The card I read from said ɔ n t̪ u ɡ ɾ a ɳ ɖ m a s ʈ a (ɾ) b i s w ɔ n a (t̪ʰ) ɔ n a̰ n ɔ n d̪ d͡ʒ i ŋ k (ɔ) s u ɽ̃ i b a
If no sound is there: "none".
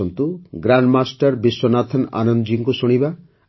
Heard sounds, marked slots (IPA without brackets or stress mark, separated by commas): ɾ, t̪ʰ, u